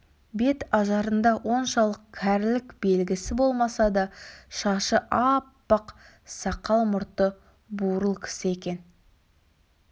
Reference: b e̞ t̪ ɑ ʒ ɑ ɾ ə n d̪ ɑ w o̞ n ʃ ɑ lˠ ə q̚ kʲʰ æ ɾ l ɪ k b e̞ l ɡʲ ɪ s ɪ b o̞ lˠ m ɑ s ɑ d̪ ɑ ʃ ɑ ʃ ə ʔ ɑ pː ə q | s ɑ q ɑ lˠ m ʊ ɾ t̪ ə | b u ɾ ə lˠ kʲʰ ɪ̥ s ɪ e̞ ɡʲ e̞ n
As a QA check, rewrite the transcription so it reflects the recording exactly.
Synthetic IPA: b e̞ t̪ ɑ ʒ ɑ ɾ ə n d̪ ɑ w o̞ n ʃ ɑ lˠ ə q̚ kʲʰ æ ɾ l ɪ k b e̞ l ɡʲ ɪ s ɪ b o̞ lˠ m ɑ s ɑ d̪ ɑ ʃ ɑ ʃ ə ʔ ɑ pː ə q | s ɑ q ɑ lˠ m ʊ ɾ t̪ ə | b u ɾ ə lˠ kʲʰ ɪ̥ s ɪ e̞ kʲ e̞ n